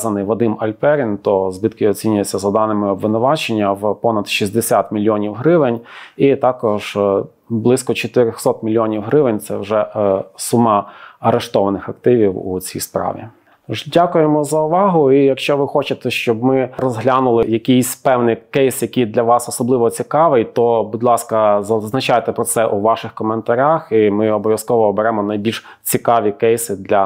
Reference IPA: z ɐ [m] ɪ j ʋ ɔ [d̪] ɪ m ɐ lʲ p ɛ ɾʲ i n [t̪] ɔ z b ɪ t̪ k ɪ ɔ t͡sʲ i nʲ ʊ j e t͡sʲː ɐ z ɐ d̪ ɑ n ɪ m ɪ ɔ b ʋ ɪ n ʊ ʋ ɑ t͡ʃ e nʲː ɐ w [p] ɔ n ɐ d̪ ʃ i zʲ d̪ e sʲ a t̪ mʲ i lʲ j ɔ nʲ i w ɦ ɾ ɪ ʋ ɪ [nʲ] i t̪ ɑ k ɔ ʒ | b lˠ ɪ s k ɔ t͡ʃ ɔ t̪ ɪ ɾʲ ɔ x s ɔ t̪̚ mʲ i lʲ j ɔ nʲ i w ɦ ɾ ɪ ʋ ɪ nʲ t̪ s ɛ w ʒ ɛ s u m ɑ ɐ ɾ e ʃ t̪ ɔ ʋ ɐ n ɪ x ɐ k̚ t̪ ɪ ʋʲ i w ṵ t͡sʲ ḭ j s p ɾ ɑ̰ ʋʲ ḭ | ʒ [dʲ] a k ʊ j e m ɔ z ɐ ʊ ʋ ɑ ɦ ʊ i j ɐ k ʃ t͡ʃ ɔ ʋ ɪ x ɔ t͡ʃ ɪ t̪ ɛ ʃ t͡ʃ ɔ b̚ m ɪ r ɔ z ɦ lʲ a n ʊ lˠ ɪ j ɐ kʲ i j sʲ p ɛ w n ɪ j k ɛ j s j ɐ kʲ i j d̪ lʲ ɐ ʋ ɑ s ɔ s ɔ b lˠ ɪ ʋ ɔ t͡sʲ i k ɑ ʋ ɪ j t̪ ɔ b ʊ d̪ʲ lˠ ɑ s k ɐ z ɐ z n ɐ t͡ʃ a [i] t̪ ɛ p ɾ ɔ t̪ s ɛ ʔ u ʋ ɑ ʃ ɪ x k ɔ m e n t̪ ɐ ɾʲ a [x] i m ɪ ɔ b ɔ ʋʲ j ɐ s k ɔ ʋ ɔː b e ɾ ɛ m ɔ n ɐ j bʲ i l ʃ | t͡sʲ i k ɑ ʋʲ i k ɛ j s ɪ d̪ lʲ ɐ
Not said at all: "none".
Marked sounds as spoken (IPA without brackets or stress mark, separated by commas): n, d̪, t̪, p, nʲ, dʲ, j, x